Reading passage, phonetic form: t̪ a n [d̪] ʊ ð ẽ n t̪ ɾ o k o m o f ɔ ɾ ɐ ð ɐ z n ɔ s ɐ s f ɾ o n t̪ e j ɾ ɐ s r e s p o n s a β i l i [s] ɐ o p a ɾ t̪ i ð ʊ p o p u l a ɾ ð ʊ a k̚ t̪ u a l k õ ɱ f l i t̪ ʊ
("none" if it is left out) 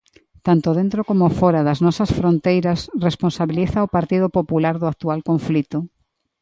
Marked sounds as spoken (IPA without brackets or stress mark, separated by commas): t̪, θ